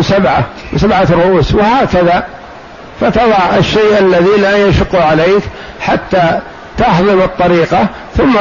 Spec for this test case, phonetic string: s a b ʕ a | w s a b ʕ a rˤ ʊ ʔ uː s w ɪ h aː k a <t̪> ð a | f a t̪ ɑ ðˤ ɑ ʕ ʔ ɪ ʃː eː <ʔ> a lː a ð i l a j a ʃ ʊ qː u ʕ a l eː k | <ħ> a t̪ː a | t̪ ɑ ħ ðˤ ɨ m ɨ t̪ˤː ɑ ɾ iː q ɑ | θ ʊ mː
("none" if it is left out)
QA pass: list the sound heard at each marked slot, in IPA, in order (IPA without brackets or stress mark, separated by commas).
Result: none, ʔ, ħ